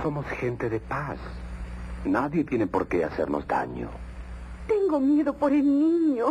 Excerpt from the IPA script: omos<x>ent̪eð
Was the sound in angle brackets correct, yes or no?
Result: yes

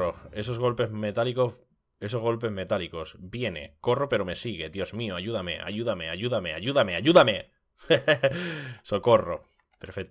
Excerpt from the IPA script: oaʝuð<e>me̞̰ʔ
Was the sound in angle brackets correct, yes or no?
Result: no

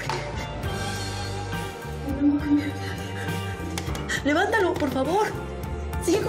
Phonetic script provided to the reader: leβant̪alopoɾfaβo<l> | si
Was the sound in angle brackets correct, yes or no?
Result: no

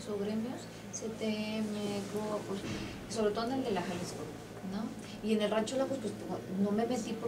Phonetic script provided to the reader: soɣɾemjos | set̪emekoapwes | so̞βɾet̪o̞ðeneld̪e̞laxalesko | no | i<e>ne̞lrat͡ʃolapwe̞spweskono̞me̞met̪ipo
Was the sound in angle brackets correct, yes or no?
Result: yes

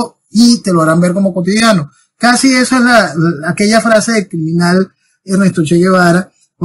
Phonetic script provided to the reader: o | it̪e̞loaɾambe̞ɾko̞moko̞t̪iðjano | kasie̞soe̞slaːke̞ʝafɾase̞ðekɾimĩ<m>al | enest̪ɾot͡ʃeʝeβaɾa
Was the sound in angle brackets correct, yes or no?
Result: no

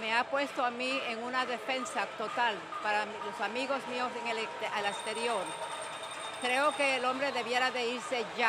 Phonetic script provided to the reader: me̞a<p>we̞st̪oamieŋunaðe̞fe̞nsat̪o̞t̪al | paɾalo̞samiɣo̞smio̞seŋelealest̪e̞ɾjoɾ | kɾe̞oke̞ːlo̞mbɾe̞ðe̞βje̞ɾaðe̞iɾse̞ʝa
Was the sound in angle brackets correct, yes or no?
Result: yes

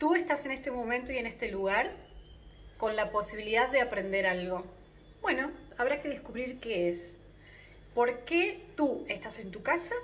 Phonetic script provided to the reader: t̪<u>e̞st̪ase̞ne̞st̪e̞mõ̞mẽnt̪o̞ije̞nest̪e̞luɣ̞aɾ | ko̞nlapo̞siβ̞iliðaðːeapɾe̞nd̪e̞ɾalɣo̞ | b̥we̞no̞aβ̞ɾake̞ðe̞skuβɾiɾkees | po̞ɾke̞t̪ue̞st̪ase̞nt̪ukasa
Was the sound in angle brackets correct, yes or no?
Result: yes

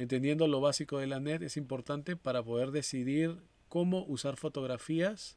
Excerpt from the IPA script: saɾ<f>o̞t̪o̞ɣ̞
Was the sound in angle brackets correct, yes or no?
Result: yes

